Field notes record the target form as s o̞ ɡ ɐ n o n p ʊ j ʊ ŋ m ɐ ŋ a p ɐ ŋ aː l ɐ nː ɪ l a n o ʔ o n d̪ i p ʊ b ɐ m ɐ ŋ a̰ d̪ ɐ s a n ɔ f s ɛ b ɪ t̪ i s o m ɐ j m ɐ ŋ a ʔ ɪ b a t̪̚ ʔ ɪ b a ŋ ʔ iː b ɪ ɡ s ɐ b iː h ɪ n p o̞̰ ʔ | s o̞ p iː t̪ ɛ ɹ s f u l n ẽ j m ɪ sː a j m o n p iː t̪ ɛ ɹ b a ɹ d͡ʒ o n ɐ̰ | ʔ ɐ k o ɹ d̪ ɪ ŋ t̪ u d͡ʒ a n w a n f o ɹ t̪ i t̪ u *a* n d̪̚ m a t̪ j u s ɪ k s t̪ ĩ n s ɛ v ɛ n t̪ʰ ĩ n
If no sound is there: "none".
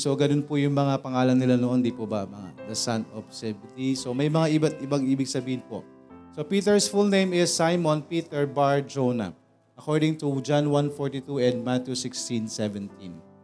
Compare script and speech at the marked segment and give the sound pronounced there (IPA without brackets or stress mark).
ɛ